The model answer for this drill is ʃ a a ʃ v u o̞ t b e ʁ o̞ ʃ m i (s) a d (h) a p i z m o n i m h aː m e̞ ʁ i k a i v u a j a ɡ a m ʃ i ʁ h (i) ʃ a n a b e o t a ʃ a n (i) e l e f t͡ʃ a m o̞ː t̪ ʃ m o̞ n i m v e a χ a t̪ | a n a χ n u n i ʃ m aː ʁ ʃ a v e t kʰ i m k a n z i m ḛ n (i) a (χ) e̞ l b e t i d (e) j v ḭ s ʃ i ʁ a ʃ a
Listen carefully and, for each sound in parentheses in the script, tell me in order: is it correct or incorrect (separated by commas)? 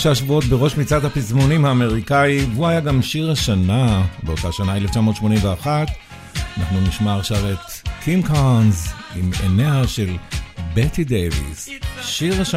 incorrect, correct, incorrect, incorrect, incorrect, incorrect, correct